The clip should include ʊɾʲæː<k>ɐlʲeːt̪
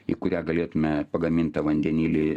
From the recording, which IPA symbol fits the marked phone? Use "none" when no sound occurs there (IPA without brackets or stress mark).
ɡ